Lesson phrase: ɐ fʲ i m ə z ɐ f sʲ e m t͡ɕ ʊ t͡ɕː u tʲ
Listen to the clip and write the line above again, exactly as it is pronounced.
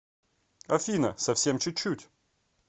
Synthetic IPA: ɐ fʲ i n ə s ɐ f sʲ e m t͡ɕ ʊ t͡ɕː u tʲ